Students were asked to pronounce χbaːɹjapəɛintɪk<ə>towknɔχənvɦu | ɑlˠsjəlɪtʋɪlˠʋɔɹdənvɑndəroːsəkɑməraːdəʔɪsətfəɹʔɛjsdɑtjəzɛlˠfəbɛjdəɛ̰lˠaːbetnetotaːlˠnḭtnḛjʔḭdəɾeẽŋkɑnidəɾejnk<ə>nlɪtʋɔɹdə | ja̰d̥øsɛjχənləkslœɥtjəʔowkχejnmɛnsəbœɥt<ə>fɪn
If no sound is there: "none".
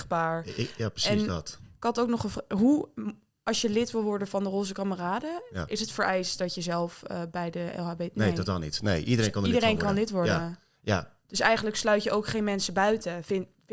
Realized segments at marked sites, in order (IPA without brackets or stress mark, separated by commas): ɑ, ɑ, ə